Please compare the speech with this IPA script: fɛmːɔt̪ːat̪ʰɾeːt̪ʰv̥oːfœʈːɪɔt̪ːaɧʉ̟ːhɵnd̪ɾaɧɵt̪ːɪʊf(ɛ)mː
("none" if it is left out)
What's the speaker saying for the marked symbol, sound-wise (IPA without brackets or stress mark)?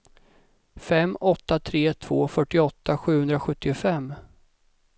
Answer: ɛ